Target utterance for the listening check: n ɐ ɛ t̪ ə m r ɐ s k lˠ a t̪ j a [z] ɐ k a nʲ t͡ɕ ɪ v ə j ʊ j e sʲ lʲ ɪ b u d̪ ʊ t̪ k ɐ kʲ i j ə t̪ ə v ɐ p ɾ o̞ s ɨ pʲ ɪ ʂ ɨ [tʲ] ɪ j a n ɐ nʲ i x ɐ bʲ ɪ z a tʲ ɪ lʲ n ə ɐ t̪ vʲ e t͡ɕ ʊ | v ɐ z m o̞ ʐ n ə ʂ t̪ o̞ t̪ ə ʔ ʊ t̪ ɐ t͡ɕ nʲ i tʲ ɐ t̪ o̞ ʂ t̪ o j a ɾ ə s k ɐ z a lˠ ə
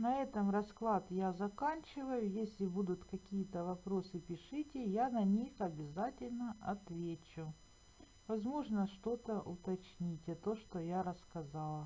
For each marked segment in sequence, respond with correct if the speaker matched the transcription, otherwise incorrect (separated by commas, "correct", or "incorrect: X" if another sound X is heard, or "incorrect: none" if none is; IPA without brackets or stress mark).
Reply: correct, correct